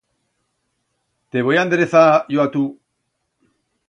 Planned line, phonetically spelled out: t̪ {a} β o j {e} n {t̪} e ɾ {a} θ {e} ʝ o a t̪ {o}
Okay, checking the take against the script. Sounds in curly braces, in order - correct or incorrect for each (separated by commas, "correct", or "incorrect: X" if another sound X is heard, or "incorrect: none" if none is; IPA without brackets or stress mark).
incorrect: e, incorrect: a, incorrect: d̪, incorrect: e, incorrect: a, incorrect: u